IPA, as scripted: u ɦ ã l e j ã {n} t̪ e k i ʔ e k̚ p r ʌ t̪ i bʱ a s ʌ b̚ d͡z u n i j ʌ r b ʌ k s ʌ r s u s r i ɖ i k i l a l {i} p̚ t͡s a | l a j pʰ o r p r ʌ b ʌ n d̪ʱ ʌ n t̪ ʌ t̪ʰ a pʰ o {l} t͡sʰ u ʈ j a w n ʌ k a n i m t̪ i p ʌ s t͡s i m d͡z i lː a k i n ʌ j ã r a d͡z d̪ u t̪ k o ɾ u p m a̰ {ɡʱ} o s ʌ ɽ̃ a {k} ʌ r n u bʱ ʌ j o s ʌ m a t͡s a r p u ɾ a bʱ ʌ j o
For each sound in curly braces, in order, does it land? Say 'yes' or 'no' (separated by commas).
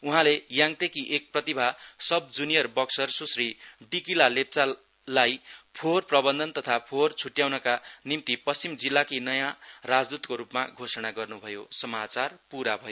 no, no, no, yes, no